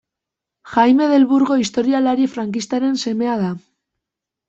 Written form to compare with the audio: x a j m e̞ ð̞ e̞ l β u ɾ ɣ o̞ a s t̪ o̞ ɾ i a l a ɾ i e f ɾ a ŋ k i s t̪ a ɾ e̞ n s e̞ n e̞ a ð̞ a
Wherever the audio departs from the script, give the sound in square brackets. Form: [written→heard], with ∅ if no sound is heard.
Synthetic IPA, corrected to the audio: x a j m e̞ ð̞ e̞ l β u ɾ ɣ o̞ [a→i] s t̪ o̞ ɾ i a l a ɾ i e f ɾ a ŋ k i s t̪ a ɾ e̞ n s e̞ [n→m] e̞ a ð̞ a